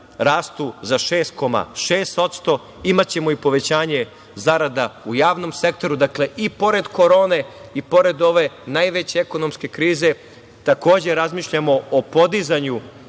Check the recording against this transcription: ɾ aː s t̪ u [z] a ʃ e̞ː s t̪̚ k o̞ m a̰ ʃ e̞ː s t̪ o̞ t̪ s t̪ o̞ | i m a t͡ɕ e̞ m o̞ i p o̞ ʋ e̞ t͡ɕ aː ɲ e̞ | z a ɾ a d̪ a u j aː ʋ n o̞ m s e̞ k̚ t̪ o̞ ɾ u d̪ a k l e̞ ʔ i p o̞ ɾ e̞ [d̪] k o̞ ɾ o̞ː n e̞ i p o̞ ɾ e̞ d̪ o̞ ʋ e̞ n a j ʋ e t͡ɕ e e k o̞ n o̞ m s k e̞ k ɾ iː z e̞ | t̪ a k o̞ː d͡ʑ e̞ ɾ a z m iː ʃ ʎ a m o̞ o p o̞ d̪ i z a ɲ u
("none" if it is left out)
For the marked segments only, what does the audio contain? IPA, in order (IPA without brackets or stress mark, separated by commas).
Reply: z, d̪